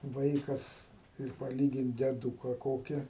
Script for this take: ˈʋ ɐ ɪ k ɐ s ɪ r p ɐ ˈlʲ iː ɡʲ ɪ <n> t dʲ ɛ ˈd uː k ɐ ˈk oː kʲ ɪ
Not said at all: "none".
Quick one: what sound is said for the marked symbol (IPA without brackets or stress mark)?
n